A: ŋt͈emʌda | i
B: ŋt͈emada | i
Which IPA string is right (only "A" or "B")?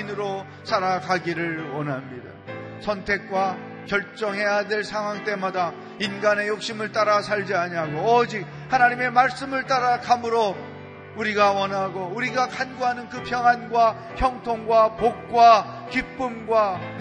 B